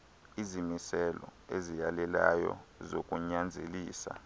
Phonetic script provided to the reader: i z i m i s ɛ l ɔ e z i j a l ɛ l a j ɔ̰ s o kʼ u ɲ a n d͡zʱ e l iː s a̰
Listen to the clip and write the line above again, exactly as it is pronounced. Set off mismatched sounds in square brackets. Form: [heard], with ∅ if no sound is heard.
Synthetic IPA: i z i m i s ɛ l ɔ e z i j a l ɛ l a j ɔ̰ [z] o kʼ u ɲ a n d͡zʱ e l iː s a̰